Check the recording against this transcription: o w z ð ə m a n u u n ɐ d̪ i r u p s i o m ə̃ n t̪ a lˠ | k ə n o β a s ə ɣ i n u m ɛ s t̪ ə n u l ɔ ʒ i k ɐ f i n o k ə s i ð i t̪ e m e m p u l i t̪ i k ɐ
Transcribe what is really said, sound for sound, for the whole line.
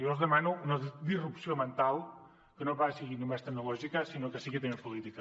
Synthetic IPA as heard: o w z ð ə m a n u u n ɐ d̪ i r u p s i o m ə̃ n t̪ a lˠ | k ə n o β a s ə ɣ i n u m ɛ s t̪ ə n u l ɔ ʒ i k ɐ s i n o k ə s i ɣ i t̪ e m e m p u l i t̪ i k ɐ